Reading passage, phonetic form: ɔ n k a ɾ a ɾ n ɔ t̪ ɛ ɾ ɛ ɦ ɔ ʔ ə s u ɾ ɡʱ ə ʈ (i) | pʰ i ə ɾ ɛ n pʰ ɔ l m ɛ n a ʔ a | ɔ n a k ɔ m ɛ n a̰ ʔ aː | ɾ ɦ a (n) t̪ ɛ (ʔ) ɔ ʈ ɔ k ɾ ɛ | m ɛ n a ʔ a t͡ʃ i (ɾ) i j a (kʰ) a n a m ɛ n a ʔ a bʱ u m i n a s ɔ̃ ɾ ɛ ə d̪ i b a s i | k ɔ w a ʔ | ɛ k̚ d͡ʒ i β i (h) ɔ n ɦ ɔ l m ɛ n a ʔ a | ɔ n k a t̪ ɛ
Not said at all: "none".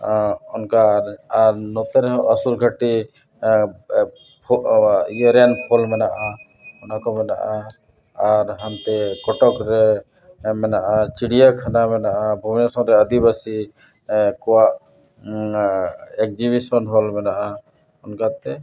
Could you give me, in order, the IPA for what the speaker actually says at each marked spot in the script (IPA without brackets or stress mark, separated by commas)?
i, n, k, ɽ, kʰ, s